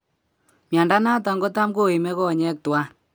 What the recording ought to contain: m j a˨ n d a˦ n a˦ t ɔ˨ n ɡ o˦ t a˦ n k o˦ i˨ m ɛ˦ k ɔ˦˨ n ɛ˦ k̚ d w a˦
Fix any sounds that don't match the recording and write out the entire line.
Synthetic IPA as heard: m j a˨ n d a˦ n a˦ t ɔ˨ ŋ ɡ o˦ t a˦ m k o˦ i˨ m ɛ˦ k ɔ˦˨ ɲ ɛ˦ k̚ t w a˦